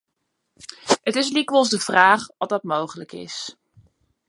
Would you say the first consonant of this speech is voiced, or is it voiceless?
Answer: voiceless